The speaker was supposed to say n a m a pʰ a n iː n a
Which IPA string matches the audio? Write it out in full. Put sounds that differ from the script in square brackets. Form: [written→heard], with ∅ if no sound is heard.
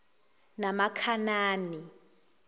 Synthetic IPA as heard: n a m a [pʰ→kʰ] a n [iː→aː] n [a→i]